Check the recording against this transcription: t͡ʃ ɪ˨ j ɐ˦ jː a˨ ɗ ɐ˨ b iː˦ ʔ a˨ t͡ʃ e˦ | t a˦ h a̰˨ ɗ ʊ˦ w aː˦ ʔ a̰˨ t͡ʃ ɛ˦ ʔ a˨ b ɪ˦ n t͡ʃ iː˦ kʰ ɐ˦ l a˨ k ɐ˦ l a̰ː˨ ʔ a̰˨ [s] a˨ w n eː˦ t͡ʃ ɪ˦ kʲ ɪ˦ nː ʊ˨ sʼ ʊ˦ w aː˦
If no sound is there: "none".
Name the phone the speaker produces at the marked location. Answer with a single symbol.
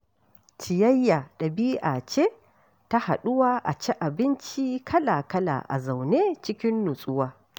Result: z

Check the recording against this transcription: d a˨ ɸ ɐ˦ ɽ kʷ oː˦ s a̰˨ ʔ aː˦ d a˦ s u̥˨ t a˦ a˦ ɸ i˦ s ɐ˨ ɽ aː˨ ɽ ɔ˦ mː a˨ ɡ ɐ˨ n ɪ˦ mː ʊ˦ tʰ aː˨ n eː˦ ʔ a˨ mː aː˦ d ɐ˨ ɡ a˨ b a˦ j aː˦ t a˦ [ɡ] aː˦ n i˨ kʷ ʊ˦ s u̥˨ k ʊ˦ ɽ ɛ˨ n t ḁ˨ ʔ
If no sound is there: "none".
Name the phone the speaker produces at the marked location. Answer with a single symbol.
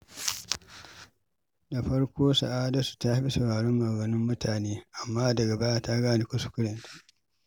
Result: ɡ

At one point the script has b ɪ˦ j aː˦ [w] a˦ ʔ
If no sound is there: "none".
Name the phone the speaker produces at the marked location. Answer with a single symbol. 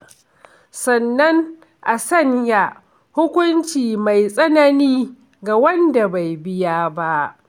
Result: b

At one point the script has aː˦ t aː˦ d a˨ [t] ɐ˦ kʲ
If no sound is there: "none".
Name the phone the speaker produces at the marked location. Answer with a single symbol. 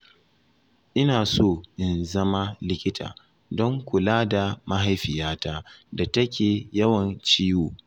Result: t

